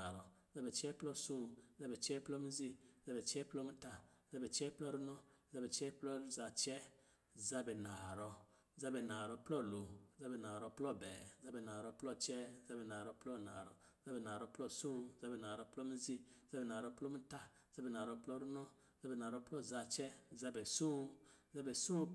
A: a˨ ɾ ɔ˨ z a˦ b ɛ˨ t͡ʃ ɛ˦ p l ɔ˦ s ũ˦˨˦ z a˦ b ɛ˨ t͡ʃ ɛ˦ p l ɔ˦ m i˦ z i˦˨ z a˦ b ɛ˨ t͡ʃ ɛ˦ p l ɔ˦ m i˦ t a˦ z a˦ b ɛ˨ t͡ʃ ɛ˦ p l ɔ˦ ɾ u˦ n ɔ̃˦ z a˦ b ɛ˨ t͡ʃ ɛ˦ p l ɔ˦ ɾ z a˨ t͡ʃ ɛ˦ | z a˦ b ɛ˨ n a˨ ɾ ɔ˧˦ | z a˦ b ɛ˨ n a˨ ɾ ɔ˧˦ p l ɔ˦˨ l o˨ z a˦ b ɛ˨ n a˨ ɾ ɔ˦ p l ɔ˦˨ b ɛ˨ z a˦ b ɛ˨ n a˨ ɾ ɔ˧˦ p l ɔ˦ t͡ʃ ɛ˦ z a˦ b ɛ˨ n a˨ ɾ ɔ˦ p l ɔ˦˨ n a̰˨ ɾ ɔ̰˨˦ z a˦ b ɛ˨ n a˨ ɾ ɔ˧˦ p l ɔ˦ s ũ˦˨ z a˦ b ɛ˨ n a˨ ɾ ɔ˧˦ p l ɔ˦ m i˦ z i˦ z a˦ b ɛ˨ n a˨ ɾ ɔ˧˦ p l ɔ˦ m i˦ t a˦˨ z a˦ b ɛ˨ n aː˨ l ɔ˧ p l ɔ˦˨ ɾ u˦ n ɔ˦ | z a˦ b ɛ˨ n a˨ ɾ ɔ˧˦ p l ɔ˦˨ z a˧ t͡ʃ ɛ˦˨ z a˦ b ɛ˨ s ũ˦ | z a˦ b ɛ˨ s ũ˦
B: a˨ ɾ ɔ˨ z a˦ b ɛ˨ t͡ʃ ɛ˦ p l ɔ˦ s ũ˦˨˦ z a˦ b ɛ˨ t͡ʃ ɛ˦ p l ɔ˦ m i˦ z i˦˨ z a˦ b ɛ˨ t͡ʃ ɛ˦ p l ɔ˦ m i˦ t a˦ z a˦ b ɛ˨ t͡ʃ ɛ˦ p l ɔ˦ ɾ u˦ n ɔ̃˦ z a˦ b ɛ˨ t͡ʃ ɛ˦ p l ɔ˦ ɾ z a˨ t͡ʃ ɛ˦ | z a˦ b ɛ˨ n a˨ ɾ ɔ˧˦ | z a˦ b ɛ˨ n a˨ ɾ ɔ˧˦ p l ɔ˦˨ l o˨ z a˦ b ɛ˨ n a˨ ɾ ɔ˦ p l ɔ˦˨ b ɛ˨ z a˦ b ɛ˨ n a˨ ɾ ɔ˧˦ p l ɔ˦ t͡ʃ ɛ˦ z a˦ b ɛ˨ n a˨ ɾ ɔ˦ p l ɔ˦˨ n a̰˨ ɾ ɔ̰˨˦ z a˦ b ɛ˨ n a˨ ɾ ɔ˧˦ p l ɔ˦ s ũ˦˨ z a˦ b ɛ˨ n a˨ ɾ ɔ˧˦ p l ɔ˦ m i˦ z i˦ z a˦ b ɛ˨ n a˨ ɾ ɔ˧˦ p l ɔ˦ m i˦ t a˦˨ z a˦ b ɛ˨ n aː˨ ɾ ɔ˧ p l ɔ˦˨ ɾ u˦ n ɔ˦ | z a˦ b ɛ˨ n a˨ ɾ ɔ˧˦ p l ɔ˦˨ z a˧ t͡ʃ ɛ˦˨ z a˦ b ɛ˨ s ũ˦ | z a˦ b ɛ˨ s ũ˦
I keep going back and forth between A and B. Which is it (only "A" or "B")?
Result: B